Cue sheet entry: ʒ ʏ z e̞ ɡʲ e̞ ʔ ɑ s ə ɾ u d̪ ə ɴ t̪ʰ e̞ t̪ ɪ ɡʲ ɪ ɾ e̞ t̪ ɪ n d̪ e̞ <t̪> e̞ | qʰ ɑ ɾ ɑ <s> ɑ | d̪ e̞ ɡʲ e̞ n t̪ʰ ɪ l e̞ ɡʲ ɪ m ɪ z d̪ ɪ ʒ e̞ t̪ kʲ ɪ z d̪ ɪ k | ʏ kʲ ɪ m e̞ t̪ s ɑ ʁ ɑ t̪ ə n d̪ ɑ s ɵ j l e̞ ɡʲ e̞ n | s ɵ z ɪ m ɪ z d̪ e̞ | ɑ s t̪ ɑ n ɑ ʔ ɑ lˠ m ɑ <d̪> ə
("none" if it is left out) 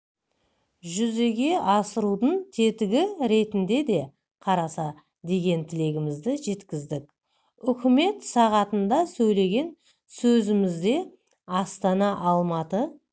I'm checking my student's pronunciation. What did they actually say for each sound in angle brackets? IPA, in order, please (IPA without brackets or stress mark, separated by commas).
d̪, s, t̪